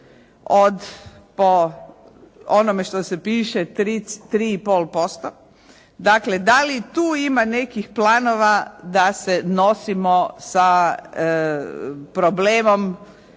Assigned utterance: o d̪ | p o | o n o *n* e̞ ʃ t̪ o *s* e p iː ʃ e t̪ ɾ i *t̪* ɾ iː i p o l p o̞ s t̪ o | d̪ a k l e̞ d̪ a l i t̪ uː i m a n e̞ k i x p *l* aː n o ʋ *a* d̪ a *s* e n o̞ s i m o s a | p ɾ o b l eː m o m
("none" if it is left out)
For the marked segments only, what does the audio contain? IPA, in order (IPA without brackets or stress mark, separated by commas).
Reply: m, s, t̪, l, a, s